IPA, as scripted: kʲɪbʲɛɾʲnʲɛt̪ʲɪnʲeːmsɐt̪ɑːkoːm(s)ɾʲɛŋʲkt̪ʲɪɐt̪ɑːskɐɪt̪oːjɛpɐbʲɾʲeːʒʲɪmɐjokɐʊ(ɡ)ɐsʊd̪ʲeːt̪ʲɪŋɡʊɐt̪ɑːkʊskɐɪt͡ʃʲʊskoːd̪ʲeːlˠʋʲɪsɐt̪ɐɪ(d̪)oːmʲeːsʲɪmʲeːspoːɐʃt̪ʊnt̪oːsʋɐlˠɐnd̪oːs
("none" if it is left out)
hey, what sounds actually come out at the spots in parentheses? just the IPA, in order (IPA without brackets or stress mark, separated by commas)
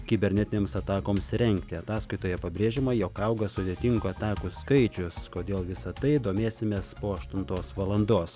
s, ɡ, d̪